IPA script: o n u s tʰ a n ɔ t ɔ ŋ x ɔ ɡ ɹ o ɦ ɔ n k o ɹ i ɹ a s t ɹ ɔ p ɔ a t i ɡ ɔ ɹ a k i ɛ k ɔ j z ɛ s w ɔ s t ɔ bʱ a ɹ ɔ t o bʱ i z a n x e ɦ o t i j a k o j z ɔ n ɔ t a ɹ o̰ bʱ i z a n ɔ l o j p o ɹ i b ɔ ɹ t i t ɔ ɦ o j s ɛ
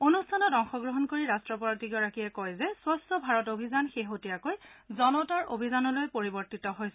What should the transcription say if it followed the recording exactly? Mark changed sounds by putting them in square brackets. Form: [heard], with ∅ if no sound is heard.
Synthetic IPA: o n u s tʰ a n ɔ t ɔ ŋ x ɔ ɡ ɹ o ɦ ɔ n k o ɹ i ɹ a s t ɹ ɔ p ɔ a t i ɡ ɔ ɹ a k i ɛ k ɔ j z ɛ s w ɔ s t ɔ bʱ a ɹ ɔ t o bʱ i z a n x e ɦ o t i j a k o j z ɔ n ɔ t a ɹ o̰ bʱ i z a n ɔ l o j p o ɹ i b ɔ ɹ t i t ɔ ɦ o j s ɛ